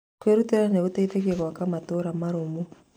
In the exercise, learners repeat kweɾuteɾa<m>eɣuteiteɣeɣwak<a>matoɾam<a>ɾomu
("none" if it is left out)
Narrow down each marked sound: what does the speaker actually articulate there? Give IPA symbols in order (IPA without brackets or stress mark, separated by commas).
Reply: n, a, a